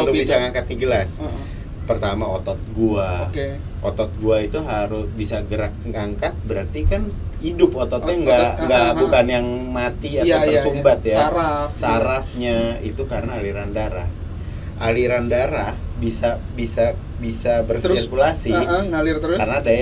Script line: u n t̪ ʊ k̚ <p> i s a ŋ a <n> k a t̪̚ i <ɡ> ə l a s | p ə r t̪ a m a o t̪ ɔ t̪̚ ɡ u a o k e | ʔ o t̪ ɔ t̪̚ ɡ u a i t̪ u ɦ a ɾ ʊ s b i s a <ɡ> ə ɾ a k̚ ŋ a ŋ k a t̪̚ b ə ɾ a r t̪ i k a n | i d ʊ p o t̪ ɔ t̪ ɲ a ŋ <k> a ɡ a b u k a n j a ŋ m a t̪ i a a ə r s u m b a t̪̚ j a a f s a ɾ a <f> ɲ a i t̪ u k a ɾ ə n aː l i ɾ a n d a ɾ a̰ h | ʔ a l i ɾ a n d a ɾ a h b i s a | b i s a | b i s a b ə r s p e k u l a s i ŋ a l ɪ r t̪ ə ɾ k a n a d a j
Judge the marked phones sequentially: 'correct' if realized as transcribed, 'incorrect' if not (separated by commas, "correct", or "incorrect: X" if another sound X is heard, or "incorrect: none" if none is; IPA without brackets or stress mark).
incorrect: b, incorrect: ŋ, correct, correct, incorrect: ɡ, correct